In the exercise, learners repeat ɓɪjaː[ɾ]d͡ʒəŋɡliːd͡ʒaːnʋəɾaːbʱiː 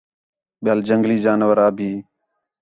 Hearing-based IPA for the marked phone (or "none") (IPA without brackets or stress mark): l